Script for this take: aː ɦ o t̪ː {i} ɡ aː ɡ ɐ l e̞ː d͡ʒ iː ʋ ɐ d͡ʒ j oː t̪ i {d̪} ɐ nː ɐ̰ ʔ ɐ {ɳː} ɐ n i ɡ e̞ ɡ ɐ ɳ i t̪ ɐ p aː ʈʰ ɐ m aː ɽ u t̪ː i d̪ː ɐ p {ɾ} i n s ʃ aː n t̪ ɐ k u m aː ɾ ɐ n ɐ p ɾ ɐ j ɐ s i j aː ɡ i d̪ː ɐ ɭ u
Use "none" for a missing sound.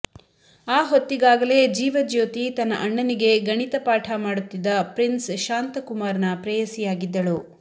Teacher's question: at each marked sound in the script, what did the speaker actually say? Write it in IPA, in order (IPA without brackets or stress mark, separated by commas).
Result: i, t̪, ɳː, ɾ